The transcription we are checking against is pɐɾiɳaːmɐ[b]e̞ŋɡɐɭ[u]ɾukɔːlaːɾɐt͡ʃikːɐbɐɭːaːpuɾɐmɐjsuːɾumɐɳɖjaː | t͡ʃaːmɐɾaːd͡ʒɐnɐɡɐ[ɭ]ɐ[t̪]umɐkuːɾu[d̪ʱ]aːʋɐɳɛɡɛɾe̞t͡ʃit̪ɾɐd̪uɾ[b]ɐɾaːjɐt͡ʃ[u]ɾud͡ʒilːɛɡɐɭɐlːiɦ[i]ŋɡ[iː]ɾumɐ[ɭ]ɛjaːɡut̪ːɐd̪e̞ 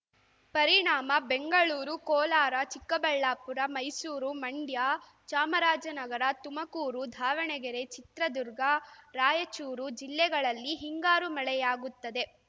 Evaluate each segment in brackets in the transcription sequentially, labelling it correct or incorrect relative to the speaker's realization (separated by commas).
correct, incorrect, incorrect, correct, correct, incorrect, incorrect, correct, incorrect, correct